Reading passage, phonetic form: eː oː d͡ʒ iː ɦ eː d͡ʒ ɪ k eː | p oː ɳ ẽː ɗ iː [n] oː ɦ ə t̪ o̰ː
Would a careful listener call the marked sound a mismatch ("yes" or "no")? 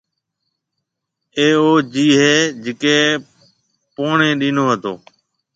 no